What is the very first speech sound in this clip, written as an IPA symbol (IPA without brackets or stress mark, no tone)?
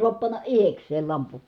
s